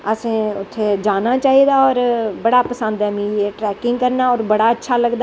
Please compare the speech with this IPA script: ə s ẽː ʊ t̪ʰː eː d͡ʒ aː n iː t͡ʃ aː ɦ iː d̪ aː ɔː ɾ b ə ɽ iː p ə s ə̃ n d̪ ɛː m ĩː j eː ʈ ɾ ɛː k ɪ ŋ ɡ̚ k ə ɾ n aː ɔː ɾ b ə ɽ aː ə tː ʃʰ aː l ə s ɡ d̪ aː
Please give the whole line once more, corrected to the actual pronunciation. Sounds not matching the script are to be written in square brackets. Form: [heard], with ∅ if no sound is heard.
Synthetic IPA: ə s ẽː ʊ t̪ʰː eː d͡ʒ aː n [aː] t͡ʃ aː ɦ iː d̪ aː ɔː ɾ b ə ɽ [aː] p ə s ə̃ n d̪ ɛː m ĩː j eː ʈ ɾ ɛː k ɪ ŋ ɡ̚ k ə ɾ n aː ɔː ɾ b ə ɽ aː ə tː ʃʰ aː l ə [∅] ɡ d̪ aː